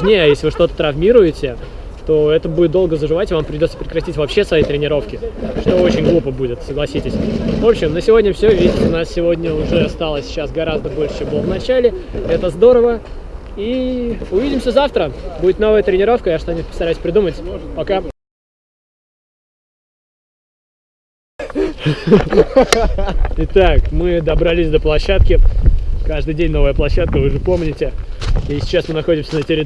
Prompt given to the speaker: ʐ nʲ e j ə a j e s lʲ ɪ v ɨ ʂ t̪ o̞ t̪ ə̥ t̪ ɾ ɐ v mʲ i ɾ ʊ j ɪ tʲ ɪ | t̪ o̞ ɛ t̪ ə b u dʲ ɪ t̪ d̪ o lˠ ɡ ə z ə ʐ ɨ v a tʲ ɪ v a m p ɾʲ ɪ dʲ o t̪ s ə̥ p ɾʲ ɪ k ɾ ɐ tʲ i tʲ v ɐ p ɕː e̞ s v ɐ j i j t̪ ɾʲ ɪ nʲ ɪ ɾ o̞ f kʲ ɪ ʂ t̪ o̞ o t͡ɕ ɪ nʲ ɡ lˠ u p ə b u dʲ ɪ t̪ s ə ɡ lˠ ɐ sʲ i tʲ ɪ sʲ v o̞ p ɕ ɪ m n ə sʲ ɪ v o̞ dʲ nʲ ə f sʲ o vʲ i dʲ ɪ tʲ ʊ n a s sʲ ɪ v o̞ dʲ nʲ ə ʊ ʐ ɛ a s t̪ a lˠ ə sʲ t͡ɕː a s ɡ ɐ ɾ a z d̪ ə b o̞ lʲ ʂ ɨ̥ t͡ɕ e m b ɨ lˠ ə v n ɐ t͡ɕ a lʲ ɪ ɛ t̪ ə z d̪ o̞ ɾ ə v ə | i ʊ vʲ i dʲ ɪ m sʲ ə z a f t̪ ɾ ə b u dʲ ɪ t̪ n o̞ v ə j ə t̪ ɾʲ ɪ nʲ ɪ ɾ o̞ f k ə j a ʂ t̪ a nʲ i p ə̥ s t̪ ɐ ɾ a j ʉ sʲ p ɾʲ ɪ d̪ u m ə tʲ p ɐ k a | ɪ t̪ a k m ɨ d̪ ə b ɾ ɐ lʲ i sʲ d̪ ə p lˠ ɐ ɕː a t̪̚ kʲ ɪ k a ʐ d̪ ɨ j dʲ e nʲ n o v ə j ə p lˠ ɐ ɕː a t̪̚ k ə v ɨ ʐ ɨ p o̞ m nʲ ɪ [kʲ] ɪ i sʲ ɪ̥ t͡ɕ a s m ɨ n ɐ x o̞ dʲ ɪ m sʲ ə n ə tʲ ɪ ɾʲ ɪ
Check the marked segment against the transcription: incorrect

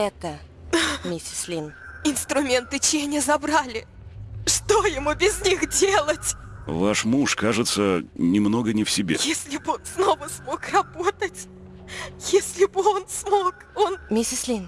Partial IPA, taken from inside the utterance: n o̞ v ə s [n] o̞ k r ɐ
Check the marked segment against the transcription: incorrect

